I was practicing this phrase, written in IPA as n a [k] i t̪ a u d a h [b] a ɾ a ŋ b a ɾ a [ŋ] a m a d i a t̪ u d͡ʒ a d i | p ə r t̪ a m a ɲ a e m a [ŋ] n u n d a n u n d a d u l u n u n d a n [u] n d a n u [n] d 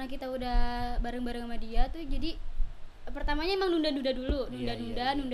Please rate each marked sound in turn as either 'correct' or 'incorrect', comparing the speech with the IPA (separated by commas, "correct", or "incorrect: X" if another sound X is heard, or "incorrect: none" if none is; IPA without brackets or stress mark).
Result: correct, correct, correct, correct, correct, correct